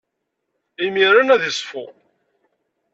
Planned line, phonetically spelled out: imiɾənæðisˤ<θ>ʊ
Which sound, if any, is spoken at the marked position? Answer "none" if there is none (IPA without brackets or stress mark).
f